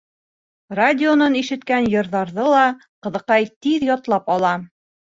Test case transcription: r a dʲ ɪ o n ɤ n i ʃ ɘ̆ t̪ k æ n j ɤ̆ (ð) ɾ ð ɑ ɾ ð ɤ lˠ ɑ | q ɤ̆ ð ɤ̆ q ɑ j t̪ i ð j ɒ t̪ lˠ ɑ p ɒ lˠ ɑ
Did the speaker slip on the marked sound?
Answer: yes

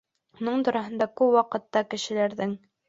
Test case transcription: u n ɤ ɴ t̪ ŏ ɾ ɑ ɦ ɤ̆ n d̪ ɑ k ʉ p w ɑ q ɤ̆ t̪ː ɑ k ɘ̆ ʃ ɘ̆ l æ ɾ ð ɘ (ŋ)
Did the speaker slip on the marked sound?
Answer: no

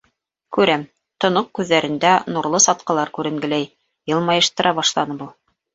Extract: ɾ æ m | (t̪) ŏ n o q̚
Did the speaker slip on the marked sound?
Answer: no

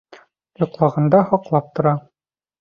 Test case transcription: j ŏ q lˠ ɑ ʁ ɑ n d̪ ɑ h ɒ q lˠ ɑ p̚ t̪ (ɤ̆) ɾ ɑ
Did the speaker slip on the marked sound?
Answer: yes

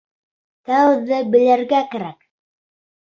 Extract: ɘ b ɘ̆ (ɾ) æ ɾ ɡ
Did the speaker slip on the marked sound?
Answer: yes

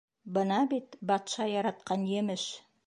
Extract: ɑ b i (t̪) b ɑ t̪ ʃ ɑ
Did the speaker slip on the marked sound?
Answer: no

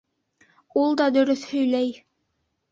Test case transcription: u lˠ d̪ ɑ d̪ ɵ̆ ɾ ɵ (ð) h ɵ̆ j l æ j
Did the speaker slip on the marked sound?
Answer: yes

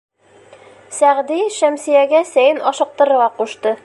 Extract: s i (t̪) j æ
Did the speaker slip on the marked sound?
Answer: yes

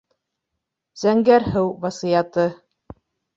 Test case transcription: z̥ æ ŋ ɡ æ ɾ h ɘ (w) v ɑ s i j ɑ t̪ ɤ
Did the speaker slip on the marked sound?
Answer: no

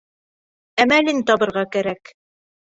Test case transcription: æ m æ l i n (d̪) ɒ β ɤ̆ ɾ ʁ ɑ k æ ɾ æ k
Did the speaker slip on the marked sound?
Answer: yes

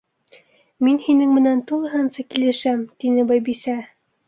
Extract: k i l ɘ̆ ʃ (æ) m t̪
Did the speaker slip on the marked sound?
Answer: no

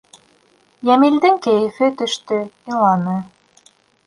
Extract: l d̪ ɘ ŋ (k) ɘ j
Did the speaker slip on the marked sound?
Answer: no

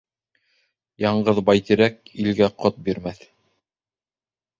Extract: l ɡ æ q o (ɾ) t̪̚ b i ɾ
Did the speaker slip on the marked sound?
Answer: yes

